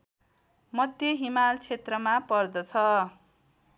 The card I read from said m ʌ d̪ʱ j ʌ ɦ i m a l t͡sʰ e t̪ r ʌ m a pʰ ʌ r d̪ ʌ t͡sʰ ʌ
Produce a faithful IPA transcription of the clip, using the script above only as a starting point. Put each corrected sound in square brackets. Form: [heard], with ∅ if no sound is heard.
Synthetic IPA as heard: m ʌ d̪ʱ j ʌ ɦ i m a l t͡sʰ e t̪ r ʌ m a [p] ʌ r d̪ ʌ t͡sʰ ʌ